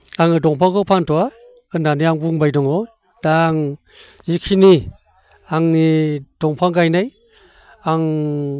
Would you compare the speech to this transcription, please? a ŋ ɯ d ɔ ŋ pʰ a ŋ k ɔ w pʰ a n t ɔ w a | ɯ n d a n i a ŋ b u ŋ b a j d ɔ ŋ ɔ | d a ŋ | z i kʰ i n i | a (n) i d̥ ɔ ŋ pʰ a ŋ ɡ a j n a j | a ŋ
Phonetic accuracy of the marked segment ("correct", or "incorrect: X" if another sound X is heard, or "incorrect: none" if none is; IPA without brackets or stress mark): incorrect: ŋ